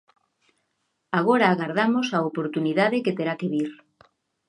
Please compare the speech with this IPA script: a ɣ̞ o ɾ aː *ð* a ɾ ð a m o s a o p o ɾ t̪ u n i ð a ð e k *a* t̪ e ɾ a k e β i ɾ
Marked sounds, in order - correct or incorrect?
incorrect: ɣ, incorrect: e

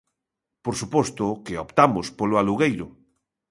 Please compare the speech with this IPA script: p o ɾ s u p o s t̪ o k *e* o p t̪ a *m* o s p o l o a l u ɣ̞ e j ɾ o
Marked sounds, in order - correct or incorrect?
correct, correct

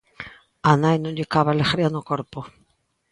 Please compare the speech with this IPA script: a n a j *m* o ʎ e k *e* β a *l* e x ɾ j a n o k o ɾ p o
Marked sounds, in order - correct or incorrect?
incorrect: n, incorrect: a, correct

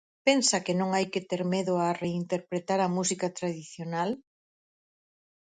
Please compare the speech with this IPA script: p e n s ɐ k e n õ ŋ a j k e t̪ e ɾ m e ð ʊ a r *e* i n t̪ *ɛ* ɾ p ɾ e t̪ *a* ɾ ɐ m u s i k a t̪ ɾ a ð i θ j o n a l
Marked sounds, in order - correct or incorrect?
correct, incorrect: e, correct

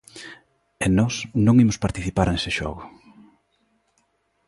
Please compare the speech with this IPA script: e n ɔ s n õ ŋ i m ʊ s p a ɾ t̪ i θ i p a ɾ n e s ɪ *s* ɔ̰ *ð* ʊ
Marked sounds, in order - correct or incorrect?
incorrect: ʃ, incorrect: ɣ

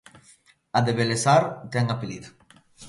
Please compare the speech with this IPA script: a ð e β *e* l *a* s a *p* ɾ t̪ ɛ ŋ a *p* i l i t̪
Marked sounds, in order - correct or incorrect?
correct, incorrect: e, incorrect: none, correct

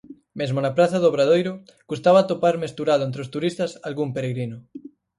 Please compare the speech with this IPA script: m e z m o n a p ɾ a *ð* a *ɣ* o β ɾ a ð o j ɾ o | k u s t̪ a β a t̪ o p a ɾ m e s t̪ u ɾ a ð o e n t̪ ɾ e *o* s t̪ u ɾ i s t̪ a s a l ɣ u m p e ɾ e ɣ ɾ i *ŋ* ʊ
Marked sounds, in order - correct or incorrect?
incorrect: θ, incorrect: ð, correct, incorrect: n

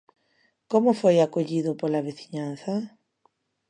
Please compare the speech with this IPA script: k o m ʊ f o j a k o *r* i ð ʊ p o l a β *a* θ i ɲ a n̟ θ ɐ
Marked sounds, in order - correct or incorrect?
incorrect: ʎ, incorrect: e

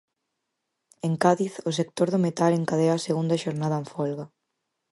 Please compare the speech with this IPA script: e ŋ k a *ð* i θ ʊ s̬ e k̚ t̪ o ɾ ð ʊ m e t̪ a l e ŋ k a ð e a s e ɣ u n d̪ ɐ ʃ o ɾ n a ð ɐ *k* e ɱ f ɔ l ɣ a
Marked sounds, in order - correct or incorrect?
correct, incorrect: none

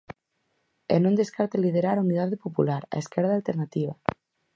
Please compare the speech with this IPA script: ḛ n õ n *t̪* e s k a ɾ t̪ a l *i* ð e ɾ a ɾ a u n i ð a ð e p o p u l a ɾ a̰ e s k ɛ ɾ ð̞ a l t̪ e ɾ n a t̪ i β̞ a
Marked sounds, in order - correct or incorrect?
incorrect: d̪, correct

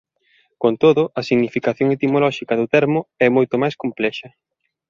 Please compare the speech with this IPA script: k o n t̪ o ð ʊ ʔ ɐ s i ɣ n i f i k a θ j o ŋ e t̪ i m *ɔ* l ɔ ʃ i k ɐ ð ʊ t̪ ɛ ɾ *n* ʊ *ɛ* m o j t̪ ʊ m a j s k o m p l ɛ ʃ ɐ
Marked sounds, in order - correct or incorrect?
incorrect: o, incorrect: m, correct

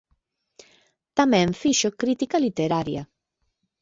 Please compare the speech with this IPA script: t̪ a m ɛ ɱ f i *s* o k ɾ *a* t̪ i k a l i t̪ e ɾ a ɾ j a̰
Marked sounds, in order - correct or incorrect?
incorrect: ʃ, incorrect: i

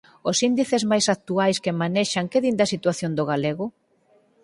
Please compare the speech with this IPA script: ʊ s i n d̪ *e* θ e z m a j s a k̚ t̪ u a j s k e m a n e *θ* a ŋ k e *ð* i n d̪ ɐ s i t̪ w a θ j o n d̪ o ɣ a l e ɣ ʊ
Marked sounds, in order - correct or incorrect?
incorrect: i, incorrect: ʃ, correct

